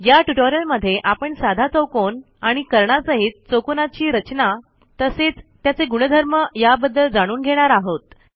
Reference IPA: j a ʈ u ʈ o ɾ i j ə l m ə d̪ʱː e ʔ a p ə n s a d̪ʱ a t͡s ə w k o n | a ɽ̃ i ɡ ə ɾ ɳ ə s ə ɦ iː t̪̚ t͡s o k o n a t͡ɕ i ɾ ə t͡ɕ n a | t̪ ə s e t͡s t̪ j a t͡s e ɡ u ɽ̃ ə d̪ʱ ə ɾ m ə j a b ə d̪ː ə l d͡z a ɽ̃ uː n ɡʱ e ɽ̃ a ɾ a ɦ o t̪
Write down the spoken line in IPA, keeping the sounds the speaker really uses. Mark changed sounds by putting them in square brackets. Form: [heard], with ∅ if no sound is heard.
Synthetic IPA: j a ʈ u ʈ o ɾ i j ə l m ə d̪ʱː e ʔ a p ə [ɳ] s a d̪ʱ a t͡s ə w k o n | a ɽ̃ i [k] ə ɾ ɳ [a] s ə ɦ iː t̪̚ t͡s o k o n a t͡ɕ [iː] ɾ ə t͡ɕ n a | t̪ ə s e t͡s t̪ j a t͡s e ɡ u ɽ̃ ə d̪ʱ ə ɾ m ə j a b ə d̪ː ə l d͡z a ɽ̃ uː n ɡʱ e ɽ̃ a ɾ a ɦ o t̪